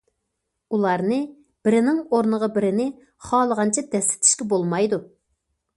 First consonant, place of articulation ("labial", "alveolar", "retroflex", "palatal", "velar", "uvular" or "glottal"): alveolar